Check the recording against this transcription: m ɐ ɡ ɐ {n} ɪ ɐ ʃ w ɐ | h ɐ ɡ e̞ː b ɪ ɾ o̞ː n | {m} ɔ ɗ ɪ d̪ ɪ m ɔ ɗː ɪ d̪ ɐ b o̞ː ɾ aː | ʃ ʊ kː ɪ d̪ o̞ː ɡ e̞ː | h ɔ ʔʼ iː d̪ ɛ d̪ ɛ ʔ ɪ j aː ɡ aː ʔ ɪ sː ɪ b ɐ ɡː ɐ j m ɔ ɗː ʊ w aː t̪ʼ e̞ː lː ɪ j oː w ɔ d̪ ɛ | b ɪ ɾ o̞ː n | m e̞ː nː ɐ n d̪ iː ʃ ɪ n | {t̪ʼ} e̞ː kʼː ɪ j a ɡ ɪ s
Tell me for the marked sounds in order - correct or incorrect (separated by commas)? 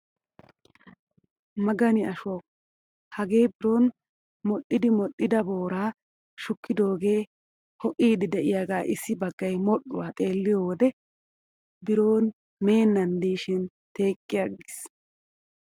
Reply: correct, correct, incorrect